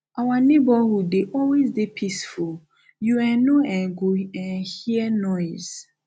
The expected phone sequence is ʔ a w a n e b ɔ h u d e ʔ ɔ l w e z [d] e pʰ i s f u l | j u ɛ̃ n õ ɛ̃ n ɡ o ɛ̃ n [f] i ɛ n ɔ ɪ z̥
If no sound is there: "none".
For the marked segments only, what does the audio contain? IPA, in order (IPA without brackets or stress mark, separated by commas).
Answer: d, h